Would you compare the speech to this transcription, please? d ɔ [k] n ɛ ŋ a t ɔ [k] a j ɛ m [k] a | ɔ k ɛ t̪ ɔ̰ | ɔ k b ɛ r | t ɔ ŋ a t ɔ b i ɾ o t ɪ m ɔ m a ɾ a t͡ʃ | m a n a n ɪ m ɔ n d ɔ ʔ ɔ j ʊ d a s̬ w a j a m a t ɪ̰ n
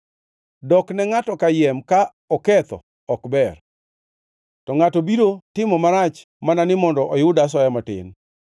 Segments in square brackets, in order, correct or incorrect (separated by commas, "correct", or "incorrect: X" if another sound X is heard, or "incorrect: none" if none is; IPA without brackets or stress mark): correct, correct, correct